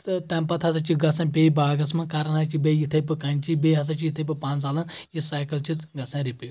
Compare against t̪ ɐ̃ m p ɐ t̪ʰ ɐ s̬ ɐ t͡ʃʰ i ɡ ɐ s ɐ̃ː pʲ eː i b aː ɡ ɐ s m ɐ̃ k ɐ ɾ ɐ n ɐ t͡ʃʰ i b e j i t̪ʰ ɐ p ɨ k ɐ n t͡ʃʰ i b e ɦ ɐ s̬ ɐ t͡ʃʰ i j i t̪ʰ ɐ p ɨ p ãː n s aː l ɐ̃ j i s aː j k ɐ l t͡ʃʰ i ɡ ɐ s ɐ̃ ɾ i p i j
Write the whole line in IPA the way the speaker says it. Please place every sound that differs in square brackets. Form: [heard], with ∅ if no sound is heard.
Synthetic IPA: t̪ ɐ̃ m p ɐ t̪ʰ ɐ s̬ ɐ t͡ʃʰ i ɡ ɐ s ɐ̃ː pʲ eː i b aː ɡ ɐ s m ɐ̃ k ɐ ɾ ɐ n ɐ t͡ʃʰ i b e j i t̪ʰ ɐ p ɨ k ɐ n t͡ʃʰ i b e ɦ ɐ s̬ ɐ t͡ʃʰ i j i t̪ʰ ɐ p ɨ p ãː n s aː l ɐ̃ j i s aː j k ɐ l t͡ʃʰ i ɡ ɐ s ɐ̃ ɾ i p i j

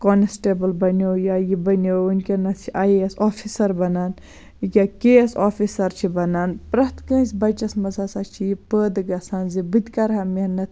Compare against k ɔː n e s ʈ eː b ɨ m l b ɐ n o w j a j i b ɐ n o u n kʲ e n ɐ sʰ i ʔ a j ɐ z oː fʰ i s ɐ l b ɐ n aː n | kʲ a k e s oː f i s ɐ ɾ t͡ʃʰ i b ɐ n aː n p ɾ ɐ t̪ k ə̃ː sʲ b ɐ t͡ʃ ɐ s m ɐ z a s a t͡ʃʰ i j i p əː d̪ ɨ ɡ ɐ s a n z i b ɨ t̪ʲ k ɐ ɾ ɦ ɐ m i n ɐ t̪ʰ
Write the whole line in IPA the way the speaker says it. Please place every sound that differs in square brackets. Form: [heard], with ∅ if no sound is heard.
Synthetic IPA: k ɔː n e s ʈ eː b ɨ [∅] l b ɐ n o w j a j i b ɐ n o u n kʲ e n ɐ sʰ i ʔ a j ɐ [s] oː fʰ i s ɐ [ɾ] b ɐ n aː n | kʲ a k e s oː f i s ɐ ɾ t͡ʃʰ i b ɐ n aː n p ɾ ɐ t̪ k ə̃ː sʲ b ɐ t͡ʃ ɐ s m ɐ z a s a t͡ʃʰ i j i p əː d̪ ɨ ɡ ɐ s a n z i b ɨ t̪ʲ k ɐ ɾ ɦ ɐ m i n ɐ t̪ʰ

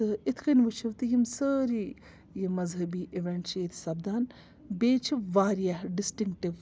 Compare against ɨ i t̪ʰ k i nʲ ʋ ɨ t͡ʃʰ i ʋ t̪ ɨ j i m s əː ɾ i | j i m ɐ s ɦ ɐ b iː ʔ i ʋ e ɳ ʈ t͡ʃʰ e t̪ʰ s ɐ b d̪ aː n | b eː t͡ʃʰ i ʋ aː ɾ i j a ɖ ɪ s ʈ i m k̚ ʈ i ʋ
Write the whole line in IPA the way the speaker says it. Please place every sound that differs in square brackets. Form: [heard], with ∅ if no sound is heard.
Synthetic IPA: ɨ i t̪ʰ k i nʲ ʋ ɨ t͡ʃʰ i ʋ t̪ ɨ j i m s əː ɾ i | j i m ɐ [z] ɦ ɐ b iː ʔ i ʋ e ɳ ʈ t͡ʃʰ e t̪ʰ s ɐ b d̪ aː n | b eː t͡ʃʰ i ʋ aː ɾ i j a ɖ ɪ s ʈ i [ŋ] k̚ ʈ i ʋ

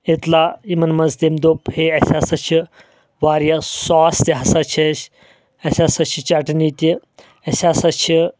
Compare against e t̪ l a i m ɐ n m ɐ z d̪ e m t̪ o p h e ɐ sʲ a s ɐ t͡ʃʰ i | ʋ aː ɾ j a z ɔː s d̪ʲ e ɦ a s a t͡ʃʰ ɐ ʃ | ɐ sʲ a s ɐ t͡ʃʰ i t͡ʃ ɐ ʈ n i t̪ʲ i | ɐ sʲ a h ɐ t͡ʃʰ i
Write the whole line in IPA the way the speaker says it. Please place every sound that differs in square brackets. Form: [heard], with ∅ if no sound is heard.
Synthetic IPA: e t̪ l a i m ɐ n m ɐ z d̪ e m [d̪] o p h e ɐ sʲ a s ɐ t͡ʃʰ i | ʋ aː ɾ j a [s] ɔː s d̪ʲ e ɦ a s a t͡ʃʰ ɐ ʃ | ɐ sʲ a s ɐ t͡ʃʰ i t͡ʃ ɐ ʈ n i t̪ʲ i | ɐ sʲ a [s] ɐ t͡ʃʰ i

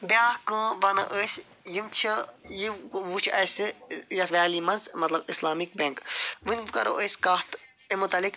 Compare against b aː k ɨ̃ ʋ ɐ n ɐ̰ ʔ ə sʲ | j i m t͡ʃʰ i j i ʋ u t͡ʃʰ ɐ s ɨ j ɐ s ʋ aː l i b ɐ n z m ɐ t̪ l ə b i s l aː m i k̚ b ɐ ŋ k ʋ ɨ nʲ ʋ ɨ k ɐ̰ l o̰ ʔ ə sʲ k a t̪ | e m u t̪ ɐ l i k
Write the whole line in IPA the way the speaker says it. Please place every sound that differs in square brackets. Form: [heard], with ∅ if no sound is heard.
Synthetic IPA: b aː k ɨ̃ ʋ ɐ n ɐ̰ ʔ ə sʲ | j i m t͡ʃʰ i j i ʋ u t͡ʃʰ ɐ s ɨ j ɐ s ʋ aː l i [m] ɐ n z m ɐ t̪ l [ɐ] b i s l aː m i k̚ b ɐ ŋ k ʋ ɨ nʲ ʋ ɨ k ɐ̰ [ɾ] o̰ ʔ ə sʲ k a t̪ | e m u t̪ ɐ l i k

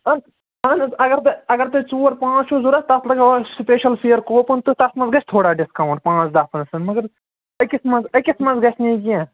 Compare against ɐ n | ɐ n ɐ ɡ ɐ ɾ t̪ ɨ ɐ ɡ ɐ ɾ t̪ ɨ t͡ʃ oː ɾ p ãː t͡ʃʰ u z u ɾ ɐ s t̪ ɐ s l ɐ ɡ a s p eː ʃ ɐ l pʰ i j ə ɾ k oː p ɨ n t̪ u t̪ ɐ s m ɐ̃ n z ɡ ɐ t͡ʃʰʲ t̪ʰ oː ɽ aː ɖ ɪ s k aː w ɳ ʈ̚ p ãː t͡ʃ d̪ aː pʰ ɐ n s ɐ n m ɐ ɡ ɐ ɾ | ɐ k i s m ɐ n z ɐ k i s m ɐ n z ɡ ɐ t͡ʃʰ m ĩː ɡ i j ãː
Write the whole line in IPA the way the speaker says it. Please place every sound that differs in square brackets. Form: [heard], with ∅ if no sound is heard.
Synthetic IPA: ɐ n | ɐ n ɐ ɡ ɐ ɾ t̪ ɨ ɐ ɡ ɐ ɾ t̪ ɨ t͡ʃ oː ɾ p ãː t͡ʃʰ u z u ɾ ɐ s t̪ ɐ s l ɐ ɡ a s p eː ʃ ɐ l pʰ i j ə ɾ k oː p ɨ n t̪ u t̪ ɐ s m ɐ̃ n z ɡ ɐ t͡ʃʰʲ t̪ʰ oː ɽ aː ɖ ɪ s k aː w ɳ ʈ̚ p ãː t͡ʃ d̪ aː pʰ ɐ n s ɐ n m ɐ ɡ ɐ ɾ | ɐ k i s m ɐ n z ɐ k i s m ɐ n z ɡ ɐ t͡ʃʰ [n] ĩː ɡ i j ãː

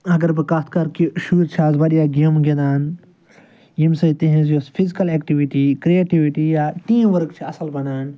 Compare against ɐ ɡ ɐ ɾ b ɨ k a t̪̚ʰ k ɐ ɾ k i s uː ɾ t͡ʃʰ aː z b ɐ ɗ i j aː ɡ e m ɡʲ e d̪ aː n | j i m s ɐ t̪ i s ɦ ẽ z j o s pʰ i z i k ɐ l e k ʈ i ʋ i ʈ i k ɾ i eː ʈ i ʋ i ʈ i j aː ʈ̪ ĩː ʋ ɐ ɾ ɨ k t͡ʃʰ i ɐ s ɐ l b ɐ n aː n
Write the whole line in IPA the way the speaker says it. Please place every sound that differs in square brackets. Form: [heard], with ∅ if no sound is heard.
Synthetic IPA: ɐ ɡ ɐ ɾ b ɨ k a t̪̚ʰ k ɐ ɾ k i [ʃ] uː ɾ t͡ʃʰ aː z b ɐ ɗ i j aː ɡ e m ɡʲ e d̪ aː n | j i m s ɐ t̪ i [∅] ɦ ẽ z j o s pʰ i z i k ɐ l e k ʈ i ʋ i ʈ i k ɾ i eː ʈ i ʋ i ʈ i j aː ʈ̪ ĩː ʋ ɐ ɾ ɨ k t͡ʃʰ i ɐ s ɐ l b ɐ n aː n

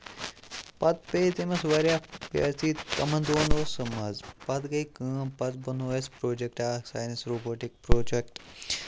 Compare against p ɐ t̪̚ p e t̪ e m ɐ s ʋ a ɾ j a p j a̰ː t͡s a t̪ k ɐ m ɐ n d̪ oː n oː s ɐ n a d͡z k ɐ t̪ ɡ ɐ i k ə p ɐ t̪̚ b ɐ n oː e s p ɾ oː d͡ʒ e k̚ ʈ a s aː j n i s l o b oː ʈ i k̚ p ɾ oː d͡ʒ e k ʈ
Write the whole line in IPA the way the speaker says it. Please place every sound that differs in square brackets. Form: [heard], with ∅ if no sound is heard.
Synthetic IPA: p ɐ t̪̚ p e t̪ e m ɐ s ʋ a ɾ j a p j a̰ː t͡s [i] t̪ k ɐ m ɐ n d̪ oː n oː s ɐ [m] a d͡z [p] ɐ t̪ ɡ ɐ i k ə p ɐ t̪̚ b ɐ n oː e s p ɾ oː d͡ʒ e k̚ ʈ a s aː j n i s [ɾ] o b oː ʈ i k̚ p ɾ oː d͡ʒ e k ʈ

